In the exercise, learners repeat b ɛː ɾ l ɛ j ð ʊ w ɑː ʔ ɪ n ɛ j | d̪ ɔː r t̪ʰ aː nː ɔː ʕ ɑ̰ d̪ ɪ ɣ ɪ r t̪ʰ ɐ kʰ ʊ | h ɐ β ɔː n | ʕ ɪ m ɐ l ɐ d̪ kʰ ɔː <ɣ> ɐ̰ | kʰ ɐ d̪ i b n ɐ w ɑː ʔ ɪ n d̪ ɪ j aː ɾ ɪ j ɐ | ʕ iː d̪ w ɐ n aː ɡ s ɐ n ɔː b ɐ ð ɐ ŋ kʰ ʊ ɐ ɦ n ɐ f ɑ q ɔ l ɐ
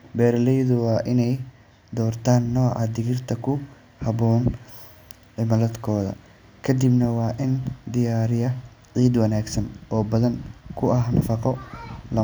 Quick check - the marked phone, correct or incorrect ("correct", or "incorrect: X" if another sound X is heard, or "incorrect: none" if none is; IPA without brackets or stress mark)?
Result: incorrect: ð